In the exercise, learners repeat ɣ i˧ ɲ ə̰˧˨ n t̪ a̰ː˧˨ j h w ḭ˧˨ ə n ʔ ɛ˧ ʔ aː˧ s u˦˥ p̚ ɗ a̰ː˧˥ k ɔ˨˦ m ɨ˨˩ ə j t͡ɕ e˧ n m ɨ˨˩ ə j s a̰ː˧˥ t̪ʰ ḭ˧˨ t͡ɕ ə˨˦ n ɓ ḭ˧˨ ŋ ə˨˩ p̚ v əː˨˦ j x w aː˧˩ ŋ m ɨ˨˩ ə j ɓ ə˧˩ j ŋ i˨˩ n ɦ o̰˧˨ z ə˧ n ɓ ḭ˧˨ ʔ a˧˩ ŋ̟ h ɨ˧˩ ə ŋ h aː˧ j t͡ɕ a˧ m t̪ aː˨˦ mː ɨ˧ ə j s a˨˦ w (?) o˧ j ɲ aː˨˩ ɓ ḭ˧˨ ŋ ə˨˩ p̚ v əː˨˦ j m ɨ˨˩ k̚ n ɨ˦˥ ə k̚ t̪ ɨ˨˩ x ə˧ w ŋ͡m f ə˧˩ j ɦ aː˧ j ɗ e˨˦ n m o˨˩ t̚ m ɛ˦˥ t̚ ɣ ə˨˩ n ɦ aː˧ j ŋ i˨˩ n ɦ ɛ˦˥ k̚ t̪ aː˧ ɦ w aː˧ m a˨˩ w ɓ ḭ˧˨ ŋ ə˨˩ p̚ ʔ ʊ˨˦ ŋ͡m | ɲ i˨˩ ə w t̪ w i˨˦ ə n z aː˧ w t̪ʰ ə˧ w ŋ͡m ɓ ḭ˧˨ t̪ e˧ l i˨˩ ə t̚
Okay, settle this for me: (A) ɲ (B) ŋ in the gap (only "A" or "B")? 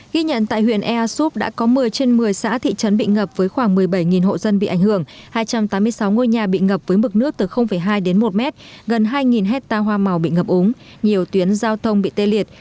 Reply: B